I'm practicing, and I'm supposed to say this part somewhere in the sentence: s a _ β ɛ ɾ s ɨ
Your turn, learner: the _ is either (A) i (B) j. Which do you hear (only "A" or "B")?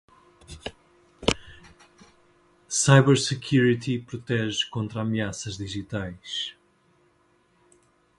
B